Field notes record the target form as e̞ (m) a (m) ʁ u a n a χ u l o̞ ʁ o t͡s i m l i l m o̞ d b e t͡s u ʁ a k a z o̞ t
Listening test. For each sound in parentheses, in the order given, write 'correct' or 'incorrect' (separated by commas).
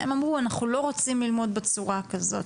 correct, correct